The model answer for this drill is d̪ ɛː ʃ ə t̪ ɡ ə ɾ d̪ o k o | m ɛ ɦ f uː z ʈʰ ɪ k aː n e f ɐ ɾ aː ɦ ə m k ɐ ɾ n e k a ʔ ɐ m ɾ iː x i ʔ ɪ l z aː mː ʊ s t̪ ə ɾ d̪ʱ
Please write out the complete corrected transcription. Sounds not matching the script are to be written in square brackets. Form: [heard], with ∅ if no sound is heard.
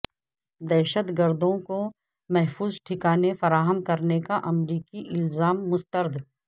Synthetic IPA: d̪ ɛː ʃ ə t̪ ɡ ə ɾ d̪ [õ] k o | m ɛ ɦ f uː z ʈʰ ɪ k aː n e f ɐ ɾ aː ɦ ə m k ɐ ɾ n e k a ʔ ɐ m ɾ iː [k] i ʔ ɪ l z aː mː ʊ s t̪ ə ɾ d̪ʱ